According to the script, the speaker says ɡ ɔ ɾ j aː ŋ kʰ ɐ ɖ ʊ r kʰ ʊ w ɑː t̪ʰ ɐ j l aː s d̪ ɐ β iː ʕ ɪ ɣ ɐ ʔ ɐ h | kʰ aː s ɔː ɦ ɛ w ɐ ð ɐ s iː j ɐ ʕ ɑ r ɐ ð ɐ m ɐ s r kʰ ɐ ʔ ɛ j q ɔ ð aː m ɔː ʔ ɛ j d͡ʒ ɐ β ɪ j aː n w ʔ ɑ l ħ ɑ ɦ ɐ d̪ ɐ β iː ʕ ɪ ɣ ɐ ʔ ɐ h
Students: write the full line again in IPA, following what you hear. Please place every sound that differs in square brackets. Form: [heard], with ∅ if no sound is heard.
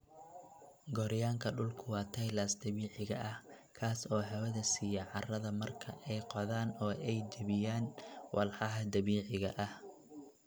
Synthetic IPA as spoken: ɡ ɔ ɾ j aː ŋ kʰ ɐ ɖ ʊ [l] kʰ ʊ w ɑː t̪ʰ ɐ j l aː s d̪ ɐ β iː ʕ ɪ ɣ ɐ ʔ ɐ h | kʰ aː s ɔː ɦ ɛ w ɐ ð ɐ s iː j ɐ ʕ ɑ r ɐ ð ɐ m ɐ [∅] r kʰ ɐ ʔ ɛ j q ɔ ð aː [n] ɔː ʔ ɛ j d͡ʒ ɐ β ɪ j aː n w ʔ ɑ l ħ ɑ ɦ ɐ d̪ ɐ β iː ʕ ɪ ɣ ɐ ʔ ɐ h